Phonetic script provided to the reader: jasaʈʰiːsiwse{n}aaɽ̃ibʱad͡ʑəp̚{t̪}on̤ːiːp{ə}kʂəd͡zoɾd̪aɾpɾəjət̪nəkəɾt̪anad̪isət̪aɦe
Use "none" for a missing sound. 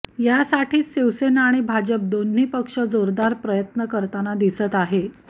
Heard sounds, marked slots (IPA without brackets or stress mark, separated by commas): n, d̪, ə